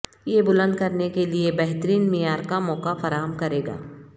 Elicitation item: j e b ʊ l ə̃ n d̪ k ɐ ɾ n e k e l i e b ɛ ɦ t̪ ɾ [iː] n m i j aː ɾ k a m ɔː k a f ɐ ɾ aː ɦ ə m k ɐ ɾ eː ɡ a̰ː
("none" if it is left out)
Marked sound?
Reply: iː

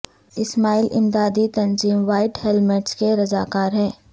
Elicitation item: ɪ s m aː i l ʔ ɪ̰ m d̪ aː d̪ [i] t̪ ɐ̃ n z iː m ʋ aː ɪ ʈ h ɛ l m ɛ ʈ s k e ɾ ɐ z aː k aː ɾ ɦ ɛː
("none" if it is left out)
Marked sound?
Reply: i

